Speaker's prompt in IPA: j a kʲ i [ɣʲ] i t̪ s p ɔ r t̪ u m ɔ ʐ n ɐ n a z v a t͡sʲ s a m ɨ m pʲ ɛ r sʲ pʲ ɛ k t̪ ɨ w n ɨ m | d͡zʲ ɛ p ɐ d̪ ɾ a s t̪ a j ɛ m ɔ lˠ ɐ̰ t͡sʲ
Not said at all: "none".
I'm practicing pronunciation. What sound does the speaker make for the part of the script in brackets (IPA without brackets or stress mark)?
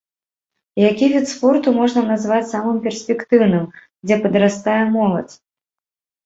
vʲ